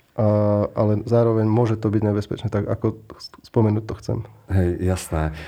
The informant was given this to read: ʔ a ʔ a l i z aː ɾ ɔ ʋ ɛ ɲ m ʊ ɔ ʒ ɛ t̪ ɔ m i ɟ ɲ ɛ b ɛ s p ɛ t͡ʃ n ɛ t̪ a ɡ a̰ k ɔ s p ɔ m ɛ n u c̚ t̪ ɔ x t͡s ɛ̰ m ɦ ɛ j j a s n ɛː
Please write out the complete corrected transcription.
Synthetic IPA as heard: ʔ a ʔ a l ɛ z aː ɾ ɔ ʋ ɛ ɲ m ʊ ɔ ʒ ɛ t̪ ɔ b i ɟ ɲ ɛ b ɛ s p ɛ t͡ʃ n ɛ t̪ a ɡ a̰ k ɔ s p ɔ m ɛ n uː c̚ t̪ ɔ x t͡s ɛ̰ m ɦ ɛ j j a s n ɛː